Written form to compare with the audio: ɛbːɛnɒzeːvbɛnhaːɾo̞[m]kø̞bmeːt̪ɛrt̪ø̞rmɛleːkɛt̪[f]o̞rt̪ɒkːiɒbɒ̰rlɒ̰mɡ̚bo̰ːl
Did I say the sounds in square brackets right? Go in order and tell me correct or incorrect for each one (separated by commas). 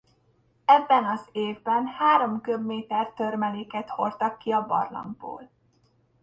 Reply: correct, incorrect